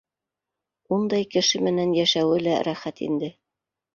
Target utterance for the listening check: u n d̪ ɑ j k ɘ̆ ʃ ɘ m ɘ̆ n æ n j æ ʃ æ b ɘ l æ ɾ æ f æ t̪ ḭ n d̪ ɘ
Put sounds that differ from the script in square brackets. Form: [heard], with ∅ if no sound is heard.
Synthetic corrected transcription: u n d̪ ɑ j k ɘ̆ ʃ ɘ m ɘ̆ n æ n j æ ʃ æ [w] ɘ l æ ɾ æ [χ] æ t̪ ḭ n d̪ ɘ

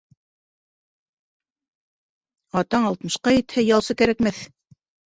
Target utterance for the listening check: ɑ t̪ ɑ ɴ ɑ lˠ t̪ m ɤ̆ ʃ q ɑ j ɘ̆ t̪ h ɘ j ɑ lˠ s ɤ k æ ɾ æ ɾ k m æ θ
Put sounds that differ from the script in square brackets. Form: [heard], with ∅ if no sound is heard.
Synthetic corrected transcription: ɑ t̪ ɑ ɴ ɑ lˠ t̪ m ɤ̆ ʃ q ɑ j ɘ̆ t̪ h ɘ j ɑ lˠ s ɤ k æ ɾ æ [∅] k m æ θ

